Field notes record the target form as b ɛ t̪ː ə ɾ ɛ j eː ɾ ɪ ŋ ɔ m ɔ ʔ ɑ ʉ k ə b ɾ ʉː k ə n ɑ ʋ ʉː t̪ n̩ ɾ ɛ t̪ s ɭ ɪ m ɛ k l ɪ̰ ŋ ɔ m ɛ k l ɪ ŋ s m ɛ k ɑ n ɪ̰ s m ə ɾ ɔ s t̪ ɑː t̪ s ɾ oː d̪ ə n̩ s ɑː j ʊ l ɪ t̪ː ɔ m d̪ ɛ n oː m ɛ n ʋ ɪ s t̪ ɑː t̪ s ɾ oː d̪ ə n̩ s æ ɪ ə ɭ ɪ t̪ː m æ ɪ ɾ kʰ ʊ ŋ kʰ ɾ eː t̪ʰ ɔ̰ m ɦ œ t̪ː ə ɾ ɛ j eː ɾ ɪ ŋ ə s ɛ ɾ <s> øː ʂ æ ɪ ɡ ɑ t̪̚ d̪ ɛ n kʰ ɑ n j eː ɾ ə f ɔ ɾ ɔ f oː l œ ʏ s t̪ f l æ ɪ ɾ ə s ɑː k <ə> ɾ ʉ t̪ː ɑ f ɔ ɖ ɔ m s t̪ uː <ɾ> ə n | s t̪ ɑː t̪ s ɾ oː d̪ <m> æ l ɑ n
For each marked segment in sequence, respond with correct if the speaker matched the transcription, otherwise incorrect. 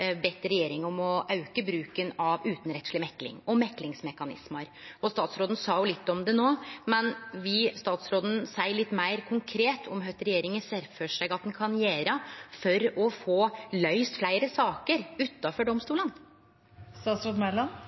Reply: incorrect, correct, incorrect, correct

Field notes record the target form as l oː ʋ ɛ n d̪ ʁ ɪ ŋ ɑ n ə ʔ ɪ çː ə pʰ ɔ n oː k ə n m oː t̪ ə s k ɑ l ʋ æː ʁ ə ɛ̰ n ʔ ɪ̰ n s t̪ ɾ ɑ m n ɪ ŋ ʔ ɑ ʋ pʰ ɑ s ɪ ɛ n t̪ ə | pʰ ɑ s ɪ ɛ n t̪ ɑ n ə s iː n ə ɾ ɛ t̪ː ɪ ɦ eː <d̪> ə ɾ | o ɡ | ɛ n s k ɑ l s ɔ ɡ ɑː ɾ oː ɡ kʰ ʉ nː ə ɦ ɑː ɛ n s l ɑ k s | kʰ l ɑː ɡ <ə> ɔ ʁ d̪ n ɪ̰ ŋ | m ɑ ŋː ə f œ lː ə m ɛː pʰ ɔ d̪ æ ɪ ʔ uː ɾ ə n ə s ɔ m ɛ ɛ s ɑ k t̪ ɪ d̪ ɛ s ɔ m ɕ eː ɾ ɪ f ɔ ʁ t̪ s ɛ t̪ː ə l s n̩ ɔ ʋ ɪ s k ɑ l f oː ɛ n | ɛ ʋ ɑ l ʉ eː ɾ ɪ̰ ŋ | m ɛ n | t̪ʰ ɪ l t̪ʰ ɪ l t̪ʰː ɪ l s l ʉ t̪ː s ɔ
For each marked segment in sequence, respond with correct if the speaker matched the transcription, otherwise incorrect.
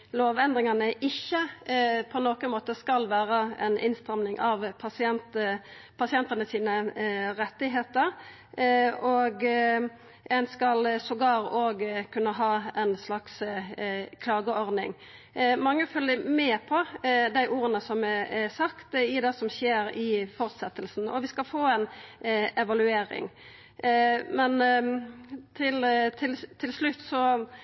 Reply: incorrect, correct

